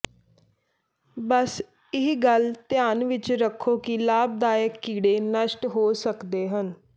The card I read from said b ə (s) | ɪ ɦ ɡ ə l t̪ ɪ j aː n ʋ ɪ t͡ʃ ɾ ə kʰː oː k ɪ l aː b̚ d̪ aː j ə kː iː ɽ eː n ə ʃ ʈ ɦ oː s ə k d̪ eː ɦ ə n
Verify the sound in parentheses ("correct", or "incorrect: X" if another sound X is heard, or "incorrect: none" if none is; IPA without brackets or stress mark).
correct